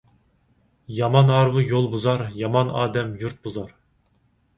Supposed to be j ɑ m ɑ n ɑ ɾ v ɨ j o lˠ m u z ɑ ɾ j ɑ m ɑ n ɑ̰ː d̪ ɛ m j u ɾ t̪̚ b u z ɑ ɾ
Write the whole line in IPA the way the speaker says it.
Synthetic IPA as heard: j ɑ m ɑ n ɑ ɾ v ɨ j o lˠ b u z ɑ ɾ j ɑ m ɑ n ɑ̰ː d̪ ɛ m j u ɾ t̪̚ b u z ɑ ɾ

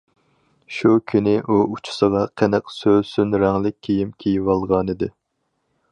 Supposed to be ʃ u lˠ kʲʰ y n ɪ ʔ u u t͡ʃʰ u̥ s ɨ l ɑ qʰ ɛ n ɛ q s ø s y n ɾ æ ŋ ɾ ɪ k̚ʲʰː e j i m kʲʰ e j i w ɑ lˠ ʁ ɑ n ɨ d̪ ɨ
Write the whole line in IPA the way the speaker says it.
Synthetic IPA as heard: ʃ u kʲʰ y n ɪ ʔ u u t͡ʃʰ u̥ s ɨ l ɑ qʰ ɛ n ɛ q s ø s y n ɾ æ ŋ l ɪ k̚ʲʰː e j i m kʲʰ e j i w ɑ lˠ ʁ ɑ n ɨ d̪ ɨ

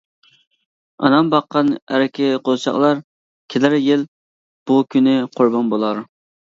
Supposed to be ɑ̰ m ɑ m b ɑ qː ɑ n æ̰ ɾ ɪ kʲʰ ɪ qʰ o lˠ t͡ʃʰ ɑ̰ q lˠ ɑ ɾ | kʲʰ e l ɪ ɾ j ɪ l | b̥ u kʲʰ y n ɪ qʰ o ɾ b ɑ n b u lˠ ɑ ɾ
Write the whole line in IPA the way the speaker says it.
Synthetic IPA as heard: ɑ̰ n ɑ m b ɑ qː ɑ n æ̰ ɾ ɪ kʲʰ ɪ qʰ o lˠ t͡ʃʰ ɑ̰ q lˠ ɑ ɾ | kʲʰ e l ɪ ɾ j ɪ l | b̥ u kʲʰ y n ɪ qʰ o ɾ b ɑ n b o lˠ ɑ ɾ

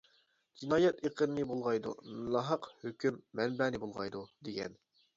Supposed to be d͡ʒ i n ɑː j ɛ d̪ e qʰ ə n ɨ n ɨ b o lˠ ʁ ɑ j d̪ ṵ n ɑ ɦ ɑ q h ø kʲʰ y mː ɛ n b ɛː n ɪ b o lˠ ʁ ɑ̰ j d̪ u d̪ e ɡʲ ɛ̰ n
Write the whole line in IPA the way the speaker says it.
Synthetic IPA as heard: d͡ʒ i n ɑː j ɛ t̪ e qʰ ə n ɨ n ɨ b o lˠ ʁ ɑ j d̪ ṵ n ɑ ɦ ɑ q h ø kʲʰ y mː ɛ n b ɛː n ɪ b o lˠ ʁ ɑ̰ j d̪ u d̪ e ɡʲ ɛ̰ n

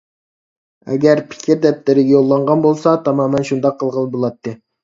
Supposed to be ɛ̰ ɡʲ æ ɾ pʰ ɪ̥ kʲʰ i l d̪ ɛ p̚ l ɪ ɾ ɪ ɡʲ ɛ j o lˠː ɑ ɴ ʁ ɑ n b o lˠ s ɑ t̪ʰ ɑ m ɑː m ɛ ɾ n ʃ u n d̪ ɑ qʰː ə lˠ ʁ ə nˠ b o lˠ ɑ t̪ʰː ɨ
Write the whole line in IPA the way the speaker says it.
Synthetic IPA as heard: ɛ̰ ɡʲ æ ɾ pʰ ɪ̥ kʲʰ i ɾ d̪ ɛ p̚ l ɪ ɾ ɪ ɡʲ ɛ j o lˠː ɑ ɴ ʁ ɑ n b o lˠ s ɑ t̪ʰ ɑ m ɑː m ɛ n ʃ u n d̪ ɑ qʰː ə lˠ ʁ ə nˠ b o lˠ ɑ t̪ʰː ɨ

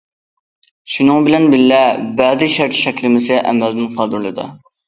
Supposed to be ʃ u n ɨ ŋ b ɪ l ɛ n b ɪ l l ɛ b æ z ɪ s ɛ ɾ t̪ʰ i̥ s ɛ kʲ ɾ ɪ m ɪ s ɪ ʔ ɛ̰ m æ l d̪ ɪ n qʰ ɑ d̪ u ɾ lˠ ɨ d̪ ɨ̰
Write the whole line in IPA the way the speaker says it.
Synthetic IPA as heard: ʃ u n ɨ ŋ b ɪ l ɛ n b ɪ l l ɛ b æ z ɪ ʃ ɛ ɾ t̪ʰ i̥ ʃ ɛ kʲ l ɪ m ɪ s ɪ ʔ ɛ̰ m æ l d̪ ɪ n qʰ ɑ d̪ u ɾ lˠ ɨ d̪ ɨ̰

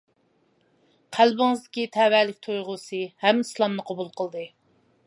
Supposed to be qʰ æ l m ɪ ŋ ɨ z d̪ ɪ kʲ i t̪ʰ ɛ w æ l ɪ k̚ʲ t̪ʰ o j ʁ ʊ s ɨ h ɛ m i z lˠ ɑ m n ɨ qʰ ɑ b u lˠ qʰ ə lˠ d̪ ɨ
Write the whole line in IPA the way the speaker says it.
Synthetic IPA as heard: qʰ æ l b ɪ ŋ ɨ z d̪ ɪ kʲ i t̪ʰ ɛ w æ l ɪ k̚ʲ t̪ʰ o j ʁ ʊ s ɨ h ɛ m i s lˠ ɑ m n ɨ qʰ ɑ b u lˠ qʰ ə lˠ d̪ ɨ

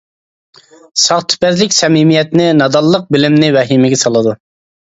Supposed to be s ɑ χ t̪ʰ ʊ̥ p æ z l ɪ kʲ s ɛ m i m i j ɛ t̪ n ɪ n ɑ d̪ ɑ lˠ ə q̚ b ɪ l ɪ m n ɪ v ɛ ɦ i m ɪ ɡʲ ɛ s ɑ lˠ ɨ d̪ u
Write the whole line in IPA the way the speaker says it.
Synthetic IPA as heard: s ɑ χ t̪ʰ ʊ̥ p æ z l ɪ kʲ s ɛ m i m i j ɛ t̪ n ɪ n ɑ d̪ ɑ lˠː ə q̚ b ɪ l ɪ m n ɪ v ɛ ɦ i m ɪ ɡʲ ɛ s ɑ lˠ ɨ d̪ u

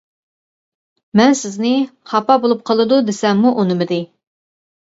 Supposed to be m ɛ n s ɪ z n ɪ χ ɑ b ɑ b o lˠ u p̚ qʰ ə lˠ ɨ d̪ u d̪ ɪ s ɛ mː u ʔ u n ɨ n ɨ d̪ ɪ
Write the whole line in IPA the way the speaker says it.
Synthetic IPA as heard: m ɛ n s ɪ z n ɪ χ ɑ p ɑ b o lˠ u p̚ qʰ ə lˠ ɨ d̪ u d̪ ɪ s ɛ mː u ʔ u n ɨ m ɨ d̪ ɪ

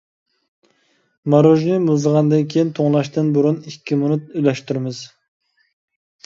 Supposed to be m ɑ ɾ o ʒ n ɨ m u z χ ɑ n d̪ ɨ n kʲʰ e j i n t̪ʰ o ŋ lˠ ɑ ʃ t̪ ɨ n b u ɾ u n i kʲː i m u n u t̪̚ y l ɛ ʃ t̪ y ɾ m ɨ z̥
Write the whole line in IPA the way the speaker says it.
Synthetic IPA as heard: m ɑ ɾ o ʒ n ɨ m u z ʁ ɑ n d̪ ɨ n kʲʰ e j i n t̪ʰ o ŋ lˠ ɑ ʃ t̪ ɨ n b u ɾ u n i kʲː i m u n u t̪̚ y l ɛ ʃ t̪ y ɾ m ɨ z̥

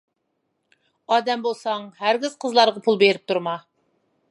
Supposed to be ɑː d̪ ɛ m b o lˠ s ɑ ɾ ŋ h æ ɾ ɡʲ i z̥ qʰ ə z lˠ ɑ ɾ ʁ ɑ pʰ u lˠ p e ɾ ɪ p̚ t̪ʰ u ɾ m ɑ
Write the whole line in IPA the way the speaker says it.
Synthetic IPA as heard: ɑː d̪ ɛ m b o lˠ s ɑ ŋ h æ ɾ ɡʲ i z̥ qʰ ə z lˠ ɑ ɾ ʁ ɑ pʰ u lˠ b e ɾ ɪ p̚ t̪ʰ u ɾ m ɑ

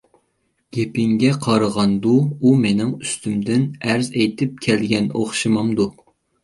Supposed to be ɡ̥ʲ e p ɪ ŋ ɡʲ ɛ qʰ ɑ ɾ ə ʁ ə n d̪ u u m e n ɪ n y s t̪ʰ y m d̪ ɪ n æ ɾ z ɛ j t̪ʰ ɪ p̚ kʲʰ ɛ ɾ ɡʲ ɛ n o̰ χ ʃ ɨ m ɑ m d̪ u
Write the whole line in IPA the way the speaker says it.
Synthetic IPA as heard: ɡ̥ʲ e p ɪ ŋ ɡʲ ɛ qʰ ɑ ɾ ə ʁ ɑ n d̪ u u m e n ɪ ŋ y s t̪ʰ y m d̪ ɪ n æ ɾ z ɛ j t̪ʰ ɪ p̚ kʲʰ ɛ l ɡʲ ɛ n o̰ χ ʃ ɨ m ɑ m d̪ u

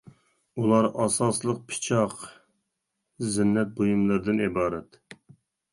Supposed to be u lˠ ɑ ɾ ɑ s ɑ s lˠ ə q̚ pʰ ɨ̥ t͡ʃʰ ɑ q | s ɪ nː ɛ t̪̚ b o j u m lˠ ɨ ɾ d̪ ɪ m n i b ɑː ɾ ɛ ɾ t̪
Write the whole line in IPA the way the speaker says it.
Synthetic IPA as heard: u lˠ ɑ ɾ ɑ s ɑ s lˠ ə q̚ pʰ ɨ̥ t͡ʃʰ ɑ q | z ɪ nː ɛ t̪̚ b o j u m lˠ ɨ ɾ d̪ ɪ n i b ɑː ɾ ɛ t̪

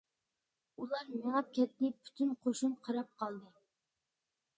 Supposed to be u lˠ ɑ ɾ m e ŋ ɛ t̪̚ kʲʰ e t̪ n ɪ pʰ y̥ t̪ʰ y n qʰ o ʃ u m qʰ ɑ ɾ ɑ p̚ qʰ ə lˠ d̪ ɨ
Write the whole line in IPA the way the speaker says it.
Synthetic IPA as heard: u lˠ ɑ ɾ m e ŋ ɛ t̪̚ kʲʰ ɛ t̪ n ɪ pʰ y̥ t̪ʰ y n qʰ o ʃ u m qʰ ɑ ɾ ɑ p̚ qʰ ɑ lˠ d̪ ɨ

